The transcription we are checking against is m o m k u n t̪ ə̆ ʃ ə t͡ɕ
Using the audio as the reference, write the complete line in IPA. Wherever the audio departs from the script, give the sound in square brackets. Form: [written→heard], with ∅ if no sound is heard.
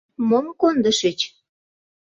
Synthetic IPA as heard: m o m k [u→o] n [t̪→d̪] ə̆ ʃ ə t͡ɕ

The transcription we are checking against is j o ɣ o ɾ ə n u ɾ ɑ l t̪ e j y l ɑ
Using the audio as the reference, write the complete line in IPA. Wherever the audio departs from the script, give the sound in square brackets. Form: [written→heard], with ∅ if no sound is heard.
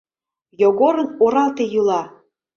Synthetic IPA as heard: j o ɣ o ɾ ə n [u→o] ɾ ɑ l t̪ e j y l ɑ

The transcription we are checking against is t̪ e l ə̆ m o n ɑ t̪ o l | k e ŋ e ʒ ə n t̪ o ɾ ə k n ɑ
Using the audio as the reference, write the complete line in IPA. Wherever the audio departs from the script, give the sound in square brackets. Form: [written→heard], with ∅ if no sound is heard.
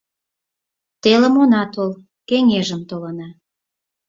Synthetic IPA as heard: t̪ e l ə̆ m o n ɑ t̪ o l | k e ŋ e ʒ ə [n→m] t̪ o [ɾ→l] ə [k→∅] n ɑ

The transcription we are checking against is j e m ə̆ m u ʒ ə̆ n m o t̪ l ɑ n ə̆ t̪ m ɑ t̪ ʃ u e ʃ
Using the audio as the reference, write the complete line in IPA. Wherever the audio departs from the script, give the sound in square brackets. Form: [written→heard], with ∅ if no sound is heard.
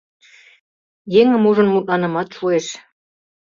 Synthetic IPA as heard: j e [m→ŋ] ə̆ m u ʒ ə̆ n m [o→u] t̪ l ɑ n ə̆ [t̪→∅] m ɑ t̪ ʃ u e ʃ

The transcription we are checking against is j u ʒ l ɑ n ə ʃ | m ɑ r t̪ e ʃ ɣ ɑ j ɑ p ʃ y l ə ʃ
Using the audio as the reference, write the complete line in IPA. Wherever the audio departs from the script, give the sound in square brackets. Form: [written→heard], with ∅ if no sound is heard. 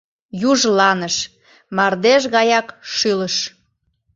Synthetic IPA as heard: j u ʒ l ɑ n ə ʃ | m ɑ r [t̪→d̪] e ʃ ɣ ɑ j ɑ [p→k] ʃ y l ə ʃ

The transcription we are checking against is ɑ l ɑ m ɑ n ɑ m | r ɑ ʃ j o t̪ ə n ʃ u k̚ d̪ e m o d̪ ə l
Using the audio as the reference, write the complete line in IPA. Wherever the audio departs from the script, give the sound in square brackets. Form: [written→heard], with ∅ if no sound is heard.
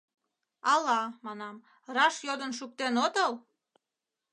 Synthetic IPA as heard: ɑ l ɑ m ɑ n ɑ m | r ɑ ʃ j o [t̪→d̪] ə n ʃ u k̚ [d̪→t̪] e [m→n] o [d̪→t̪] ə l

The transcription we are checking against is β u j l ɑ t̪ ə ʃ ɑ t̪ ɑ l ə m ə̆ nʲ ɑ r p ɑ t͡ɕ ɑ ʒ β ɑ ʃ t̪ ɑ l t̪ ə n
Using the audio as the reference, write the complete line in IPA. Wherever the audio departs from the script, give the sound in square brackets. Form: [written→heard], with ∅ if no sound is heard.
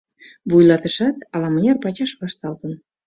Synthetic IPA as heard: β u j l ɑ t̪ ə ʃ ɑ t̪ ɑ l [ə→ɑ] m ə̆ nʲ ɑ r p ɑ t͡ɕ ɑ [ʒ→ʃ] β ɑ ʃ t̪ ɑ l t̪ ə n

